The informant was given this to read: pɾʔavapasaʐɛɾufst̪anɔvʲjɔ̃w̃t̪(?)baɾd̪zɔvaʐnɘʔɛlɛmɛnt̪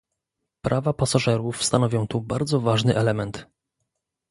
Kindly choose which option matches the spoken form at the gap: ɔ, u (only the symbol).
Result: u